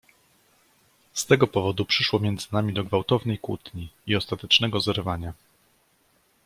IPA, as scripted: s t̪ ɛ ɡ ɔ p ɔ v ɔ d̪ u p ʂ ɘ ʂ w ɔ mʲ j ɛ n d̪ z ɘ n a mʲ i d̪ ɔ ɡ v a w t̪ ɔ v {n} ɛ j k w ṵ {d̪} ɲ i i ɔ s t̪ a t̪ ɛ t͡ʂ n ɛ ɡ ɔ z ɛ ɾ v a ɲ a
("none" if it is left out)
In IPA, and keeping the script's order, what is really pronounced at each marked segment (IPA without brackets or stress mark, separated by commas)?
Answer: n, t̪